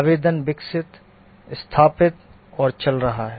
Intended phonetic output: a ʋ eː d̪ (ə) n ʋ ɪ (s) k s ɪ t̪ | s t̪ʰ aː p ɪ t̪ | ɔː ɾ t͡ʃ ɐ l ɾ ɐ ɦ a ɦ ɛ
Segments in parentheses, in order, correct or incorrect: correct, incorrect: none

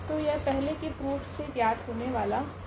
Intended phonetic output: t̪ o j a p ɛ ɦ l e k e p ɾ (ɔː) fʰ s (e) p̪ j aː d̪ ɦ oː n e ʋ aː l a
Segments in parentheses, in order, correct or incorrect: incorrect: uː, correct

